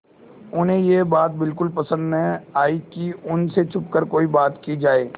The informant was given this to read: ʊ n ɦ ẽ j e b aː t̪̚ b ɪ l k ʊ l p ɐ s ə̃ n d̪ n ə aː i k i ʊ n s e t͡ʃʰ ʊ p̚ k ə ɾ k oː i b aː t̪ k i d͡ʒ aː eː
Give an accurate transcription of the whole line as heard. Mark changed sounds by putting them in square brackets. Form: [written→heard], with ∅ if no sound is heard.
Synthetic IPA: ʊ n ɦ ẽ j e b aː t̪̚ b ɪ l k ʊ l p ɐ s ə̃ n d̪ n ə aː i k i ʊ n s e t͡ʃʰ ʊ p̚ k ə ɾ k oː i b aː t̪ k i d͡ʒ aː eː